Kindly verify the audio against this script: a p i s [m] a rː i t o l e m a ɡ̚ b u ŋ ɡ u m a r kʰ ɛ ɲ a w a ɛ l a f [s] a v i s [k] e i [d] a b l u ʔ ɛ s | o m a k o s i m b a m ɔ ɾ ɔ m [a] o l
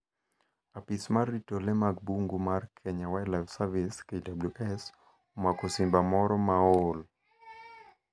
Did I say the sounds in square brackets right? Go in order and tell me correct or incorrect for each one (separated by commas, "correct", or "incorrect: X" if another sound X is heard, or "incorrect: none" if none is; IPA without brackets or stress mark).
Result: correct, correct, correct, correct, correct